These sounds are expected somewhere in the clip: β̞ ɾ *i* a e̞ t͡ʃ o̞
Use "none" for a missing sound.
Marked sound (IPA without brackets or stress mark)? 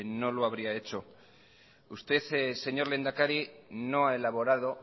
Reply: i